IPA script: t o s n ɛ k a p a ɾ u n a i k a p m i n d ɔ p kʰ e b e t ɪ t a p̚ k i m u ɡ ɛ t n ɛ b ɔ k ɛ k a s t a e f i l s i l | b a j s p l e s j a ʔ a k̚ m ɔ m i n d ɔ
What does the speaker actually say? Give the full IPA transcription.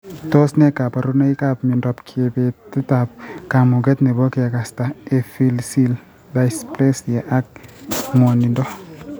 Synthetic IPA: t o s n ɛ k a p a ɾ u n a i k a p m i n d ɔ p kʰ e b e t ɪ t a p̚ k a m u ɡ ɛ t n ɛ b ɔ k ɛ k a s t a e f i l s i l | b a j s p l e s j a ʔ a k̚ m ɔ n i n d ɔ